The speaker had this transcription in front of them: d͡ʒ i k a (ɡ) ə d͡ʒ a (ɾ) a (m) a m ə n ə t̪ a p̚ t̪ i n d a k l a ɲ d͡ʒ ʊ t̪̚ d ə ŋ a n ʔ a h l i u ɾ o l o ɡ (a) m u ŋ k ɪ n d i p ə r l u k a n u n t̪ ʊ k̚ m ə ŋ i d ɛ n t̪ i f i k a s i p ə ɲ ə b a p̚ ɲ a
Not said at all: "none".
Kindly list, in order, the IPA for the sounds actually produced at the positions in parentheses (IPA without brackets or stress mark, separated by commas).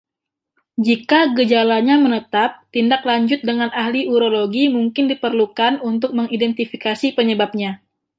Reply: ɡ, l, ɲ, i